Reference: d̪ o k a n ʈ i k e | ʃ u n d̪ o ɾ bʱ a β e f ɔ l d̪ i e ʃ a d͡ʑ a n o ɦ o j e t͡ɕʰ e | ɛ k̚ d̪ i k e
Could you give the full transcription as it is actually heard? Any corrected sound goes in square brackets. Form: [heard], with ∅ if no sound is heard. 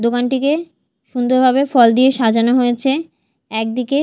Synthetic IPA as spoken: d̪ o k a n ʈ i k e | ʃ u n d̪ o ɾ bʱ a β e f ɔ l d̪ i e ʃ a d͡ʑ a n o ɦ o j e t͡ɕʰ e | ɛ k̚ d̪ i k e